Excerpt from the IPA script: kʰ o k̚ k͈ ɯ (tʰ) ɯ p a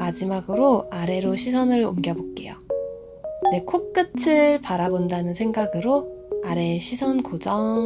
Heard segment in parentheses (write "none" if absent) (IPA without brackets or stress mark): tʰ